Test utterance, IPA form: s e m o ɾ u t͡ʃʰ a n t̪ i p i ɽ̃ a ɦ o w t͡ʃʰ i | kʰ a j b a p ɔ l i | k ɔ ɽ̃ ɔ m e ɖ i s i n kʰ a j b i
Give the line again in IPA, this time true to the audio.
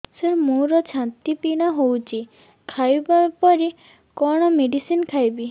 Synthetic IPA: s e m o ɾ ɔ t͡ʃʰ a n t̪ i p i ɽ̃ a ɦ o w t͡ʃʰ i | kʰ a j b a p ɔ ɾ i | k ɔ ɽ̃ ɔ m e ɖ i s i n kʰ a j b i